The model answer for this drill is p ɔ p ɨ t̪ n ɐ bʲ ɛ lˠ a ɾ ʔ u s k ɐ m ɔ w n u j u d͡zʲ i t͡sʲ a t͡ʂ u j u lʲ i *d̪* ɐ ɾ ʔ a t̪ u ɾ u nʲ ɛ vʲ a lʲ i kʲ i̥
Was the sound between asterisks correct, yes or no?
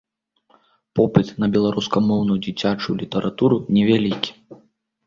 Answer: no